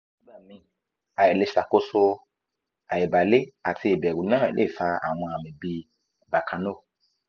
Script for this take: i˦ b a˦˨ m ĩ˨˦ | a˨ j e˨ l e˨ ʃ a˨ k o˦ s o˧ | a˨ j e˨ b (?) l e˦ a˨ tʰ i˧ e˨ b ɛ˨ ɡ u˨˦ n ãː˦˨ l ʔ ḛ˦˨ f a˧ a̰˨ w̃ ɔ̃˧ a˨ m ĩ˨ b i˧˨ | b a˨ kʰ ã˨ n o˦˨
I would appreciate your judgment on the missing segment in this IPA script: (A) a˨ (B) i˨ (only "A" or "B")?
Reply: A